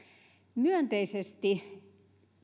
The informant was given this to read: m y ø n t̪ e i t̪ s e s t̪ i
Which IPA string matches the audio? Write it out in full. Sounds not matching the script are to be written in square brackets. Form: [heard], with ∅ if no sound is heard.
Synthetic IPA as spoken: m y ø n t̪ e i [∅] s e s t̪ i